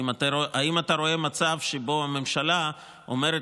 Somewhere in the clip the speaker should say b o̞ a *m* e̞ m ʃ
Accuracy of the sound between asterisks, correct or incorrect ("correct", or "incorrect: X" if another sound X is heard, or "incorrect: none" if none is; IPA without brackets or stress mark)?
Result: correct